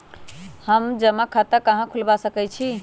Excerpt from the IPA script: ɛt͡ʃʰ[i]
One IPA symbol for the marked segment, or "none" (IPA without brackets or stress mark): i